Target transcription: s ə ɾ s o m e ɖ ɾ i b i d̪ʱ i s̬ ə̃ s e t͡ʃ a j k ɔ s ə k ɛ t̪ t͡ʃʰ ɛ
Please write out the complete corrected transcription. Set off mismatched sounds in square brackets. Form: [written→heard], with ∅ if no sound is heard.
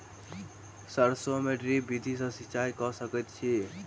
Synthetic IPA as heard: s ə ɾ s o m e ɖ ɾ i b i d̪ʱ i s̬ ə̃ s [e→i] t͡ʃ a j k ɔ s ə k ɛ t̪ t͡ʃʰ [ɛ→i]